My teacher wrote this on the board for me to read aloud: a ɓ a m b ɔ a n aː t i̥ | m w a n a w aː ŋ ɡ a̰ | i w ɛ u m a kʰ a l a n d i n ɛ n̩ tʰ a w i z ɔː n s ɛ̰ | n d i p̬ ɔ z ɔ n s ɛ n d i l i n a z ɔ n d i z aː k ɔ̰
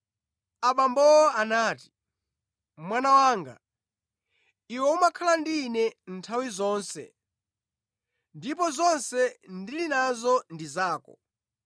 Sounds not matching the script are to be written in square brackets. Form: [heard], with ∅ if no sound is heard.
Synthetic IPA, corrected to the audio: a ɓ a m b ɔ a n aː t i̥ | m w a n a w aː ŋ ɡ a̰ | i w ɛ u m a kʰ a l a n d i n ɛ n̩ tʰ a w i z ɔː n s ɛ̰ | n d i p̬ ɔ z ɔ n s ɛ n d i l i n a z ɔ n d i z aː k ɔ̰